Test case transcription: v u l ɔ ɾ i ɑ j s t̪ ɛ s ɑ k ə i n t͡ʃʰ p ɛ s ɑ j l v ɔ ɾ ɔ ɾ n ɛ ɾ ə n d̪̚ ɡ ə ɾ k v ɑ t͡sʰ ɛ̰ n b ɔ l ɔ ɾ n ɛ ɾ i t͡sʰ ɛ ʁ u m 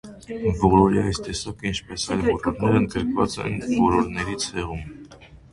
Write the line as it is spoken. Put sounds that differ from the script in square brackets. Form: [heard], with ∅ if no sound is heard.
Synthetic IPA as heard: v [ɔ] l ɔ ɾ i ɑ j s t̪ ɛ s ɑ k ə i n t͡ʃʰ p ɛ s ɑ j l v ɔ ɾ ɔ ɾ n ɛ ɾ ə n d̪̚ ɡ ə ɾ k v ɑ [t͡s] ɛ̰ n [v] ɔ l ɔ ɾ n ɛ ɾ i t͡sʰ ɛ ʁ u m